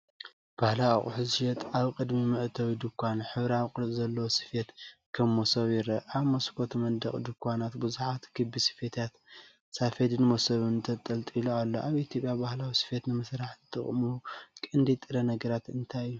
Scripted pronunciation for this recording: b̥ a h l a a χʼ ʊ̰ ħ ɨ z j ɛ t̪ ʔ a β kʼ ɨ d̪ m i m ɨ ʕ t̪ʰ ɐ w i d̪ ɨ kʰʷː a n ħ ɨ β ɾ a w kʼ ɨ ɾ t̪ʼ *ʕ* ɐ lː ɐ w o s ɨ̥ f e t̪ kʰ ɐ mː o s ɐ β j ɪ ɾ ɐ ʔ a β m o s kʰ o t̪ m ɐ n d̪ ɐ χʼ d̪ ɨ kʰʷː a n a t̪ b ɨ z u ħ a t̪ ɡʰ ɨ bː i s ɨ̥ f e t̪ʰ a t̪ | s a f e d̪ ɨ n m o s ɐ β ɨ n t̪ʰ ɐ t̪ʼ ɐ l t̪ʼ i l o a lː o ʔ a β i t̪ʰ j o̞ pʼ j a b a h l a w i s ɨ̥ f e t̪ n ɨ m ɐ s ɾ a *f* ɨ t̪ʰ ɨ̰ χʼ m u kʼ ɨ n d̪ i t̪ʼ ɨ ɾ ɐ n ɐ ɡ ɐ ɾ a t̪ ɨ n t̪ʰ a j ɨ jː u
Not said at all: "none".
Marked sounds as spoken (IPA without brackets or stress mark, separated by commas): z, ħ